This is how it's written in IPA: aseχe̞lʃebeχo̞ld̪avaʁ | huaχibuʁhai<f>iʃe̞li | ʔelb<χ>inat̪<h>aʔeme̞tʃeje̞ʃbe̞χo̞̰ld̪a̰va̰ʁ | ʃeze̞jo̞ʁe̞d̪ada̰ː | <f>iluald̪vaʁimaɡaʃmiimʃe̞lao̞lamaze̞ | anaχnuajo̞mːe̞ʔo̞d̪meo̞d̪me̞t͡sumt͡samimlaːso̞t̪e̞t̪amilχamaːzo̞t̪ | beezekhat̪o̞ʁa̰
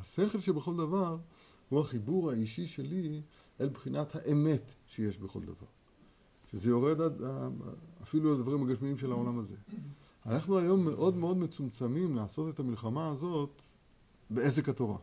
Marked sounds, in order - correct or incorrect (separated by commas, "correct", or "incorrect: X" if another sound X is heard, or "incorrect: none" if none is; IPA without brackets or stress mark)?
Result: incorrect: ʃ, correct, correct, correct